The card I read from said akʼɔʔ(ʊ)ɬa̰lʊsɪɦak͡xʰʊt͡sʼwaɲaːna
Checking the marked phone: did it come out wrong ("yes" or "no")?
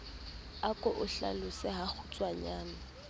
no